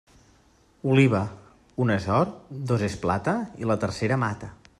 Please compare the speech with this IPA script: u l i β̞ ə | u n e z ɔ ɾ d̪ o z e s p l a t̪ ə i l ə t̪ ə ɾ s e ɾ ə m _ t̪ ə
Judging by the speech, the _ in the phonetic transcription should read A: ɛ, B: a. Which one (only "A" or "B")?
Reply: B